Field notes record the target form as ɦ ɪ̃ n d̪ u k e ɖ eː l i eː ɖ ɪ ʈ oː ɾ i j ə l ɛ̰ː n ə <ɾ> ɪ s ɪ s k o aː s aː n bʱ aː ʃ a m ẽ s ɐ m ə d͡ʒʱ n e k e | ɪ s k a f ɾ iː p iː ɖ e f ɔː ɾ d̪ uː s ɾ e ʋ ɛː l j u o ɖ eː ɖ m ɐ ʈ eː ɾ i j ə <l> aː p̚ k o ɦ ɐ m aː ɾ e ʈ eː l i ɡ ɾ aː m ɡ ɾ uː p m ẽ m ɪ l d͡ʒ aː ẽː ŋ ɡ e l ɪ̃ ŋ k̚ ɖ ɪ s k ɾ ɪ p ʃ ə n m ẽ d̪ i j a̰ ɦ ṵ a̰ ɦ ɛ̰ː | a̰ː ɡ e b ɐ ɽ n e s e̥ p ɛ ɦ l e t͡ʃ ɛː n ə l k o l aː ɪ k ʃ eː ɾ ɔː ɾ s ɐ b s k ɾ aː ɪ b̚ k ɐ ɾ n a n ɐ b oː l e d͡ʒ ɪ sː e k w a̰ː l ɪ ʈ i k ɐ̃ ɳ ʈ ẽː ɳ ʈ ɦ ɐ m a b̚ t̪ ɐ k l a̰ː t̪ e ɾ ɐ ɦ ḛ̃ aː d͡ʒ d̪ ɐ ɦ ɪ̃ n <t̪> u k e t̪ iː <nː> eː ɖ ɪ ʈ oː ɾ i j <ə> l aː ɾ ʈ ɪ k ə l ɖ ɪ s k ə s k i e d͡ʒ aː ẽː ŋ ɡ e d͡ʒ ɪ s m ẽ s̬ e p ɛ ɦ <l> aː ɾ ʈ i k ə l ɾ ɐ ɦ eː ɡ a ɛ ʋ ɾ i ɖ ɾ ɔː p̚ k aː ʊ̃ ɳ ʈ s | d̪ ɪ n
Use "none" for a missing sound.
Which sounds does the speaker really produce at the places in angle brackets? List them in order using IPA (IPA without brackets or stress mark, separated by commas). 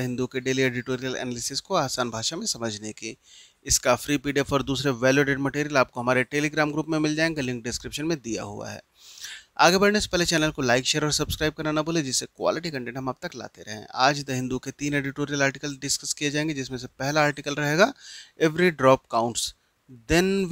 l, l, d̪, n, ə, l